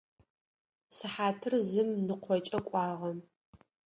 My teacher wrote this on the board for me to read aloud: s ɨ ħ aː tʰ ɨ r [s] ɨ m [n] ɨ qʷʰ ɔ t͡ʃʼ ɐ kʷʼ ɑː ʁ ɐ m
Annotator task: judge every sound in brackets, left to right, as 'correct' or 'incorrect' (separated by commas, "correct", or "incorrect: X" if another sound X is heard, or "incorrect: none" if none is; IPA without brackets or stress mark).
incorrect: z, correct